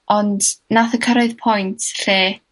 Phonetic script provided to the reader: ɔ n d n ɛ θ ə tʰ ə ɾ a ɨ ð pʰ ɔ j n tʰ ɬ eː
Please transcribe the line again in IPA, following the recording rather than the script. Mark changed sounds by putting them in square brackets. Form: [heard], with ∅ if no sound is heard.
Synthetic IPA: ɔ n d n [a] θ ə [kʰ] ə ɾ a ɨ ð pʰ ɔ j n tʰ ɬ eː